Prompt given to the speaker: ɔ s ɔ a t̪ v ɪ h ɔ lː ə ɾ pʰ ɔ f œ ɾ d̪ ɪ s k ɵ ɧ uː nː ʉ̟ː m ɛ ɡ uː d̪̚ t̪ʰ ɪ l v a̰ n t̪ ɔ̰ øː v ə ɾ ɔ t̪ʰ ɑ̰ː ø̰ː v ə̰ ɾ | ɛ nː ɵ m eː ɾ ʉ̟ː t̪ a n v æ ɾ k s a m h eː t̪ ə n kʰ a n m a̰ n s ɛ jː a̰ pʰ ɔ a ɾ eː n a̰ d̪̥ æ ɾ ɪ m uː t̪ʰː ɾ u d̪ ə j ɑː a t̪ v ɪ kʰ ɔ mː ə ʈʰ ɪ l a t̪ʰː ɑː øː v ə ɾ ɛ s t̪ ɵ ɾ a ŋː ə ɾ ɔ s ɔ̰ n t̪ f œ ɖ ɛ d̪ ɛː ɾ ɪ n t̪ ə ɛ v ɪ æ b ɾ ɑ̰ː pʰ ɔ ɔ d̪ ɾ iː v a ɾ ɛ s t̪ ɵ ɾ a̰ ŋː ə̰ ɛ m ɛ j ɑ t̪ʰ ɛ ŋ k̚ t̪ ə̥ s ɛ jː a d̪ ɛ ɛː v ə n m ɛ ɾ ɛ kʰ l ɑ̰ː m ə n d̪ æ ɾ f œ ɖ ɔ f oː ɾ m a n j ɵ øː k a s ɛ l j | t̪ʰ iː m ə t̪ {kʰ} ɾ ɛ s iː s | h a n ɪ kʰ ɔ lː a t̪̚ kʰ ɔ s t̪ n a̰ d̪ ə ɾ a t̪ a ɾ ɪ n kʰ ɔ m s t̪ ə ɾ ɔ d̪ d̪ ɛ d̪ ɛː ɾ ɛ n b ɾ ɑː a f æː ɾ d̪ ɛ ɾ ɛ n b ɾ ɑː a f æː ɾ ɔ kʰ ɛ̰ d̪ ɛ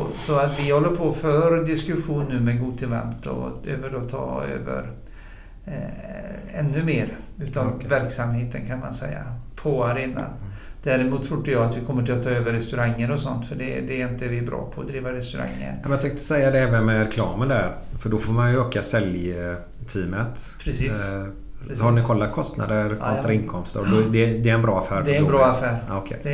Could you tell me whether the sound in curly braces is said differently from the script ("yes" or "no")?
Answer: yes